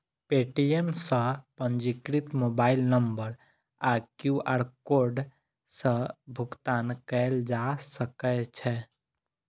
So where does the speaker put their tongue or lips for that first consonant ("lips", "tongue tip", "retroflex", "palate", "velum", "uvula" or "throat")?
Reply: lips